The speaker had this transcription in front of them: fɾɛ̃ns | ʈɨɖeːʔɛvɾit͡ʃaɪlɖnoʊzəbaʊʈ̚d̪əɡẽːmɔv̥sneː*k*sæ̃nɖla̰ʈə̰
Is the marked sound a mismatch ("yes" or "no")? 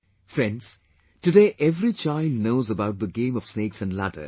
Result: no